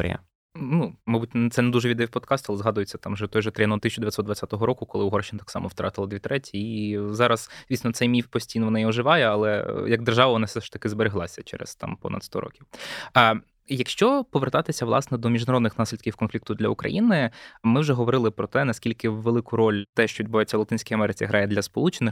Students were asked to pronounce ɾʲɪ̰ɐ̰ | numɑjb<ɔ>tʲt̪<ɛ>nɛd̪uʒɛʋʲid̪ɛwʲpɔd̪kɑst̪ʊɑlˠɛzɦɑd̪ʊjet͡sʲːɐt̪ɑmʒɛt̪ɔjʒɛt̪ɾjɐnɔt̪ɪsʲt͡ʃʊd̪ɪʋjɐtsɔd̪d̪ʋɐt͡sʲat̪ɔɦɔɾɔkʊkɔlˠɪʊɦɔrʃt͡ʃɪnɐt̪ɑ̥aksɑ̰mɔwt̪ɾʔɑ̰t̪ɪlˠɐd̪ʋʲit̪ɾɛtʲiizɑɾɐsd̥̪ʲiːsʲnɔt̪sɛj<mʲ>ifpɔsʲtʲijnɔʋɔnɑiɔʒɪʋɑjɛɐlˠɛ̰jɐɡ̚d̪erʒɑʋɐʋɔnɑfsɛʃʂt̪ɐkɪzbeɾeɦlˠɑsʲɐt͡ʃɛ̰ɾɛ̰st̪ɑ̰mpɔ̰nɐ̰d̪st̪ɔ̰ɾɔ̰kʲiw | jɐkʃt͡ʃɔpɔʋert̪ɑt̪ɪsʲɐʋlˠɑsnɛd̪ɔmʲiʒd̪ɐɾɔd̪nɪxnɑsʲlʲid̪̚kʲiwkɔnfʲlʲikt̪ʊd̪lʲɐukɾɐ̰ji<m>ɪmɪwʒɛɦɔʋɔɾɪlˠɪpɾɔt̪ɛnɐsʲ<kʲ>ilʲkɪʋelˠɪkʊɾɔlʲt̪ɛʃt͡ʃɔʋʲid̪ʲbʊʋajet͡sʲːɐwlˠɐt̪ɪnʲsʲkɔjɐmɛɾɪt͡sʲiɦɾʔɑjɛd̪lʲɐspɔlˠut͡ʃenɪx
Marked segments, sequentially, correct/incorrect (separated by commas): incorrect, correct, correct, incorrect, correct